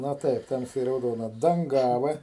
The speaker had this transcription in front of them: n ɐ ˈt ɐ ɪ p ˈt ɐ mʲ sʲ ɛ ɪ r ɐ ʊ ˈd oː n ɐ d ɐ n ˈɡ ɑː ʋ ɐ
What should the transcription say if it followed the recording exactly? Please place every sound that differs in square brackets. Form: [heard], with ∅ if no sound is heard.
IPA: n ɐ ˈt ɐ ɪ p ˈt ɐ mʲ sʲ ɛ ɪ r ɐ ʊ ˈd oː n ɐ d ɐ [ŋ] ˈɡ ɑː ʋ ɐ